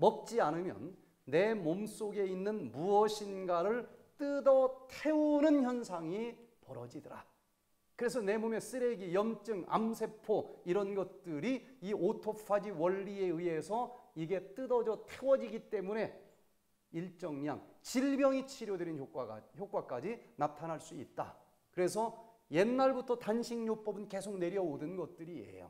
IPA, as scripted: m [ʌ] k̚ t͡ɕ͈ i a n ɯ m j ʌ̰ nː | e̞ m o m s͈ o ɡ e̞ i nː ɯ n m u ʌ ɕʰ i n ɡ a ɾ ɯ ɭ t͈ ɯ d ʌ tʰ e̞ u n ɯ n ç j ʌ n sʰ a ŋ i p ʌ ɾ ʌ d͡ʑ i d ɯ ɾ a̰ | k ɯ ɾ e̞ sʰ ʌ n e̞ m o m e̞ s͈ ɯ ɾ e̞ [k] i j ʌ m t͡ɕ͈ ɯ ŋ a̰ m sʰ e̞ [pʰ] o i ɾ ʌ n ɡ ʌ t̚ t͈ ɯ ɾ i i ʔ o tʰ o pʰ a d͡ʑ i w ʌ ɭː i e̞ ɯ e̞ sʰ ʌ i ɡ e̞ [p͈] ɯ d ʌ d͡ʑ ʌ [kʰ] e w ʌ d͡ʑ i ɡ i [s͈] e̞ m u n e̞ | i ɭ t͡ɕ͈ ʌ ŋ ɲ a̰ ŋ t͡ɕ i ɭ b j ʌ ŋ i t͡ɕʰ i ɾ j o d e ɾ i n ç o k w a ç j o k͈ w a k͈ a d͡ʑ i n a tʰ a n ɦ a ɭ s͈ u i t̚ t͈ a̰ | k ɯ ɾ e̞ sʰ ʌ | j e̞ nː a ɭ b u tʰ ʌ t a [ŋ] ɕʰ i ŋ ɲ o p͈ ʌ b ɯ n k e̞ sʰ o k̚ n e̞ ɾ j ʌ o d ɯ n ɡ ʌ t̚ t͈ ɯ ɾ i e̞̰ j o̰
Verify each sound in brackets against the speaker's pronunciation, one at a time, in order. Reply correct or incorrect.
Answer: correct, incorrect: ɡ, correct, incorrect: t͈, incorrect: tʰ, incorrect: t͈, incorrect: n

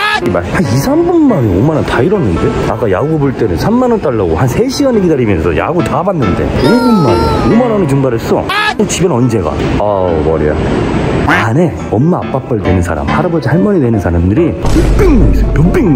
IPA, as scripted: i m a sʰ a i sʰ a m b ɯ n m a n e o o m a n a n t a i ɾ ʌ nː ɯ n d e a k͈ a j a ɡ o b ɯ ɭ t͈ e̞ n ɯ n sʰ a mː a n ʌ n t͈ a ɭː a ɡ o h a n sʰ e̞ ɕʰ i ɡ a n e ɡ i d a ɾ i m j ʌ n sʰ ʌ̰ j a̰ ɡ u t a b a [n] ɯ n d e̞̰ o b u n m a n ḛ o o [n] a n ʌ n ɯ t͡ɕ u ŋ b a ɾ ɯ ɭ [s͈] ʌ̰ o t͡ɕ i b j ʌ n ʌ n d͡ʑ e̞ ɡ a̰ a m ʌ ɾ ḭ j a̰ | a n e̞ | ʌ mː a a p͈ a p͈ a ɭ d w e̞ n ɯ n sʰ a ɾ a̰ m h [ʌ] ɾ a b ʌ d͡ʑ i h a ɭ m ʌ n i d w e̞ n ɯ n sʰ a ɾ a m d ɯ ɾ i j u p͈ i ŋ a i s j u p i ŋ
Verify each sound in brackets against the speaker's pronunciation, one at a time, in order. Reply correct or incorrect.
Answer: incorrect: nː, incorrect: m, correct, incorrect: a

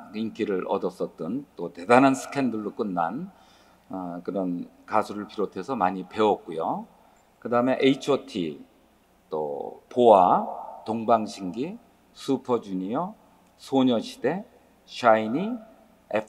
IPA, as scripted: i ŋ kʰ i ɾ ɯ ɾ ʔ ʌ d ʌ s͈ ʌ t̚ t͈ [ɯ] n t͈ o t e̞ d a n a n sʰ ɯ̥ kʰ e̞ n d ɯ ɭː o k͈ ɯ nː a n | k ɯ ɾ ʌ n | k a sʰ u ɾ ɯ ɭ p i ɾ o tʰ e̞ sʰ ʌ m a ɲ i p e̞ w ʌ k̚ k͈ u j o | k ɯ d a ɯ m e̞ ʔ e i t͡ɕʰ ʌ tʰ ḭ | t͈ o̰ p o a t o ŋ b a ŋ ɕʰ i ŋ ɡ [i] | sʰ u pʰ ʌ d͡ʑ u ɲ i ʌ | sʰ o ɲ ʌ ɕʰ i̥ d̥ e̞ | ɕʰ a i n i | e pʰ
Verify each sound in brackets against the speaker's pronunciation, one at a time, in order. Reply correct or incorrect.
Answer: correct, correct

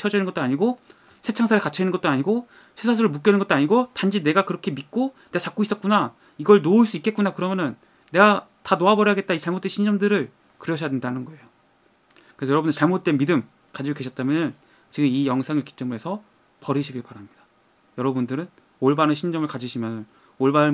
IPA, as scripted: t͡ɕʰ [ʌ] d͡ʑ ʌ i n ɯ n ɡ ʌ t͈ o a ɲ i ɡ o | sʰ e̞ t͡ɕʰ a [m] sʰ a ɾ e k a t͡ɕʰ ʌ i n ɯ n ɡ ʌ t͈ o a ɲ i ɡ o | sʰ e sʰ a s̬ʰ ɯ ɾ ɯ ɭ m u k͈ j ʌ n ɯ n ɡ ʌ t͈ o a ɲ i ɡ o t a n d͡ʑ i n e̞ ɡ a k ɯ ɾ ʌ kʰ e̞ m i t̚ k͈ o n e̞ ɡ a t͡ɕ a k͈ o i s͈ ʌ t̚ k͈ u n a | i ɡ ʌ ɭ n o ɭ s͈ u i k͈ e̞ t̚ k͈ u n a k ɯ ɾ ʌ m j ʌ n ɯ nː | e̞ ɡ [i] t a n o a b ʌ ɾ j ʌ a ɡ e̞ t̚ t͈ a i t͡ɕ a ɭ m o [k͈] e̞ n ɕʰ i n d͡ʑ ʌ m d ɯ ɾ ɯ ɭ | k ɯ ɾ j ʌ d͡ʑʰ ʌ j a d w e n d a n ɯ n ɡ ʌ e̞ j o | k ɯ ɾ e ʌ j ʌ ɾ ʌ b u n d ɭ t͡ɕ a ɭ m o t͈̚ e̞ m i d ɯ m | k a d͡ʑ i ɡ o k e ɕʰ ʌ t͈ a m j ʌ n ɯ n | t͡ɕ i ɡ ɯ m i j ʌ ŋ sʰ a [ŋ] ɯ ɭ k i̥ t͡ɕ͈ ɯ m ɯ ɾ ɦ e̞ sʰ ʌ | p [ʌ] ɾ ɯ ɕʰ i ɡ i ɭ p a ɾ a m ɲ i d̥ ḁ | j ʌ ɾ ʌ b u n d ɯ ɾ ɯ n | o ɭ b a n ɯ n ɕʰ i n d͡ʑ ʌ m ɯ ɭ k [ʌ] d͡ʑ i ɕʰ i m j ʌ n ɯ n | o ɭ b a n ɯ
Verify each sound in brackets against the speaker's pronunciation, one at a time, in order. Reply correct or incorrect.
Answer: correct, incorrect: ŋ, incorrect: a, incorrect: t͈, correct, correct, incorrect: a

